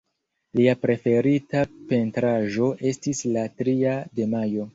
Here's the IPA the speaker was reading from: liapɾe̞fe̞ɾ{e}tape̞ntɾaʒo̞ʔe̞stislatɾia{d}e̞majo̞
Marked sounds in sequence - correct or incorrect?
incorrect: i, correct

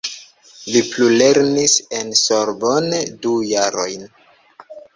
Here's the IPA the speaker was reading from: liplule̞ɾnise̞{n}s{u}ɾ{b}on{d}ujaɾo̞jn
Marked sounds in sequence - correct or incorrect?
correct, incorrect: o, correct, correct

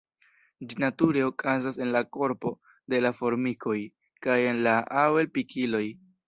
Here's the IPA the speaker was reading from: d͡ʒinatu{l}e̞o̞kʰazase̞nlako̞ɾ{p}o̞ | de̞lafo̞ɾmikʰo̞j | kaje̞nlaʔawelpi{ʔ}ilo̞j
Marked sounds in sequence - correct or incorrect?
incorrect: ɾ, correct, incorrect: k

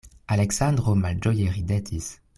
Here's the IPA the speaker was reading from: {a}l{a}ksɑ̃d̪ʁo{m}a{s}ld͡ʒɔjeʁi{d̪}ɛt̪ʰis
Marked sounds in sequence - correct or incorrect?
correct, incorrect: ɛ, correct, incorrect: none, correct

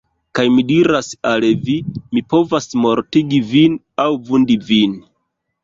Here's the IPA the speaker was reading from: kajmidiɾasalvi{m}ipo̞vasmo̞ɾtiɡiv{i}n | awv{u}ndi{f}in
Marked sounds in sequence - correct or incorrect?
correct, correct, correct, incorrect: v

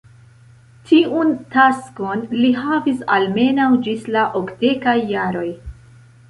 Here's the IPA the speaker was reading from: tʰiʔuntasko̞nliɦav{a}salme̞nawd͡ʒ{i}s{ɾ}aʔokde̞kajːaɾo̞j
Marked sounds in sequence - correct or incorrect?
incorrect: i, correct, incorrect: l

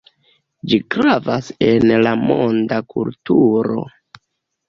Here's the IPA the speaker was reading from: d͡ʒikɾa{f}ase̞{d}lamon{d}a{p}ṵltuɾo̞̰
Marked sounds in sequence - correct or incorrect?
incorrect: v, incorrect: n, correct, incorrect: k

